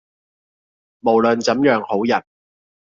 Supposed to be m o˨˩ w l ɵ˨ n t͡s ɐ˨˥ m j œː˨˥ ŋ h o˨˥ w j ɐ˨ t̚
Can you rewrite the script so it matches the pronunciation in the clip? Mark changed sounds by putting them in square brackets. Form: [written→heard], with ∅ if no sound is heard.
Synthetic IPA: m o˨˩ w l ɵ˨ n t͡s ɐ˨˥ m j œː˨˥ ŋ h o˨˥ w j ɐ˨ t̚